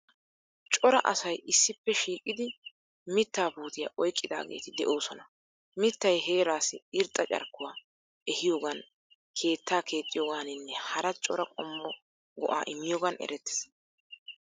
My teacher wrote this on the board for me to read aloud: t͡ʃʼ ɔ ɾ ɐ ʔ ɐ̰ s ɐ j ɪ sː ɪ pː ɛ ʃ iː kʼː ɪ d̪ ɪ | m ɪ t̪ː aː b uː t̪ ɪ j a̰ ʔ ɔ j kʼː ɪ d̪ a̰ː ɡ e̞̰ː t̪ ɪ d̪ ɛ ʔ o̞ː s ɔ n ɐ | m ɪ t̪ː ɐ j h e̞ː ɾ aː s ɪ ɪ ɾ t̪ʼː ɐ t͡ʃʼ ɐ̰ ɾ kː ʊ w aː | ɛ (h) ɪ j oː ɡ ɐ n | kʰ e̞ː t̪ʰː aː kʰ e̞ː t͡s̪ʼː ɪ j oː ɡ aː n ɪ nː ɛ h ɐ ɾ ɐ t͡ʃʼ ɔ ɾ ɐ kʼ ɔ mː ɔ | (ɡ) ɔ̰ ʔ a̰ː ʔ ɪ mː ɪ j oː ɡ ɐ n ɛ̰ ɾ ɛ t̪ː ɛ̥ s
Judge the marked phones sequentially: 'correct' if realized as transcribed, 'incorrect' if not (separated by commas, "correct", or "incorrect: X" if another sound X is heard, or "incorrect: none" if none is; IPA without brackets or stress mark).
correct, correct